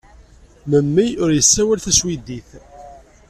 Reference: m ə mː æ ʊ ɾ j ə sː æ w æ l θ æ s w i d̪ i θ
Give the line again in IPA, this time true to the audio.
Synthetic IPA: m ə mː i ʊ ɾ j ə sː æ w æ l θ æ s w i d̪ i θ